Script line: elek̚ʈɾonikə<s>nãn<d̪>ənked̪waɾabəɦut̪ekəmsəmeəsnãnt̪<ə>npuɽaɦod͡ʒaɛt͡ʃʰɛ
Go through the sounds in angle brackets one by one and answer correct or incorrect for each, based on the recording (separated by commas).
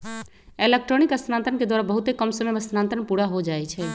correct, incorrect, correct